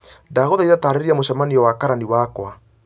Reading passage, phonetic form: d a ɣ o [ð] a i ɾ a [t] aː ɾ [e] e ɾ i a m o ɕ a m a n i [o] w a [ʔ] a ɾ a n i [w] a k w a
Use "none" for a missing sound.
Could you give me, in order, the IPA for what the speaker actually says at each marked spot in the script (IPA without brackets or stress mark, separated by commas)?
ð, t, e, ɔ, k, w